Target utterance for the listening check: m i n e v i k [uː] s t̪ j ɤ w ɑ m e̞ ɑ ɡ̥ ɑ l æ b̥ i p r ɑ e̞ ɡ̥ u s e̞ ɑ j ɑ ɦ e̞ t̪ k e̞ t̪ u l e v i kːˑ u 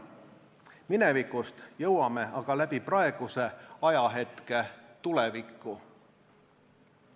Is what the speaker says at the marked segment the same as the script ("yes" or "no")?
no